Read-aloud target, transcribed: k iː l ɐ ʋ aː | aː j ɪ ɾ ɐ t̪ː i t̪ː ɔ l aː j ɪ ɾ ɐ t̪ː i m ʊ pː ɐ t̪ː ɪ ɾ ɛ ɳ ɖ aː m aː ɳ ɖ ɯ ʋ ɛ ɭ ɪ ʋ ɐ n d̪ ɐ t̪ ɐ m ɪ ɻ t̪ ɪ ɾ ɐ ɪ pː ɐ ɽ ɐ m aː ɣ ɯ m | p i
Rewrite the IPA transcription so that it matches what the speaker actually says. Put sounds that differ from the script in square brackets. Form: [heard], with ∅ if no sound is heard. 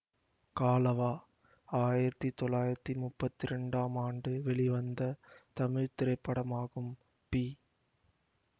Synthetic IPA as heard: k [aː] l ɐ ʋ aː | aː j ɪ ɾ ɐ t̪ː i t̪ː ɔ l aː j ɪ ɾ ɐ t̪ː i m ʊ pː ɐ t̪ː ɪ ɾ ɛ ɳ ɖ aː m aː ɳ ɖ ɯ ʋ ɛ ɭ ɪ ʋ ɐ n d̪ ɐ t̪ ɐ m ɪ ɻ t̪ ɪ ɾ ɐ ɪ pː ɐ ɽ ɐ m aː ɣ ɯ m | p i